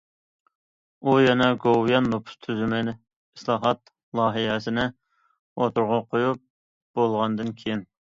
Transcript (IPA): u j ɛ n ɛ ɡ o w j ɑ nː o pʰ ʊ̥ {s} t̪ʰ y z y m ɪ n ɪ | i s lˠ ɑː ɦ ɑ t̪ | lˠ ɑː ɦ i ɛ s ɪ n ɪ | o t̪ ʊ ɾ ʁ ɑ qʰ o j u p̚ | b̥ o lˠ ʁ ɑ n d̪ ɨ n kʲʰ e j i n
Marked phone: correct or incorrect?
correct